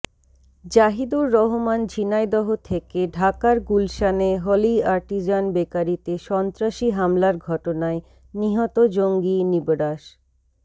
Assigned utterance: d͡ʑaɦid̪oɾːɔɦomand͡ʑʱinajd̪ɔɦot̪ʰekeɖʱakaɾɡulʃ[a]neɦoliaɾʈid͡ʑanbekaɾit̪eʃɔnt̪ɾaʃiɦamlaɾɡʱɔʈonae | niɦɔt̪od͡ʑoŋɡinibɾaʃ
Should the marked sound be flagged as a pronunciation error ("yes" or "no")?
no